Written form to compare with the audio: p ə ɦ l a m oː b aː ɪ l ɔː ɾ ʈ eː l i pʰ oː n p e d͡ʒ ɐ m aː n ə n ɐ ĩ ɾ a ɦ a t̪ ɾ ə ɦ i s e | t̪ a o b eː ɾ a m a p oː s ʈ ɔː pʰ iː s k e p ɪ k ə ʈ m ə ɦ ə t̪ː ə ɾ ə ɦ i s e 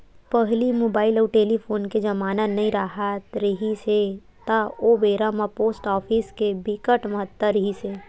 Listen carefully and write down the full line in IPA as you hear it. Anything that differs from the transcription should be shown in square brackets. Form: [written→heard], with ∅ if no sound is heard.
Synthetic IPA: p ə ɦ l [a→i] m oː b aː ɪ l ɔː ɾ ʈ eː l i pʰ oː n [p→k] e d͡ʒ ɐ m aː n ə n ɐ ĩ ɾ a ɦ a t̪ ɾ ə ɦ i s e | t̪ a o b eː ɾ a m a p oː s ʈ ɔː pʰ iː s k e [p→b] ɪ k ə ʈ m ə ɦ ə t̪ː ə ɾ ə ɦ i s e